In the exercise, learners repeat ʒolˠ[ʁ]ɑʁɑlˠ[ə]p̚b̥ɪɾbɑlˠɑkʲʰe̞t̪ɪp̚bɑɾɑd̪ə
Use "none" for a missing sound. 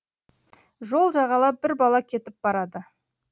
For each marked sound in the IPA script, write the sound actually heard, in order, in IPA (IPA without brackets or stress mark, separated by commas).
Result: ʒ, ɑ